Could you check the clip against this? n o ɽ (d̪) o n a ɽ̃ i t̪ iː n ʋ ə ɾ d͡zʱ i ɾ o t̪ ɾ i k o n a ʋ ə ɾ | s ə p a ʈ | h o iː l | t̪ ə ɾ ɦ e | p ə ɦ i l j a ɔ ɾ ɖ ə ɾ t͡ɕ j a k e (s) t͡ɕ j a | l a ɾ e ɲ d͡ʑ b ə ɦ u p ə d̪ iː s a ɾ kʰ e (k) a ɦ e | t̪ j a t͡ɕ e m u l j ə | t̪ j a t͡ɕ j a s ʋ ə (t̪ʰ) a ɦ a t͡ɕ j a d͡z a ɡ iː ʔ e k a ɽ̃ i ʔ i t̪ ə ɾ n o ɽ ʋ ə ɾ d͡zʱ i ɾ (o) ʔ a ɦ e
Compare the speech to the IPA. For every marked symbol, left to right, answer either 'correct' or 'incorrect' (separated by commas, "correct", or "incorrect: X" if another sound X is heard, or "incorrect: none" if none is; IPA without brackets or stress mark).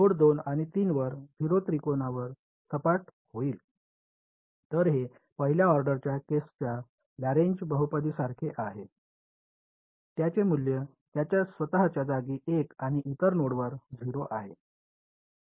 correct, correct, incorrect: ʔ, incorrect: t̪, correct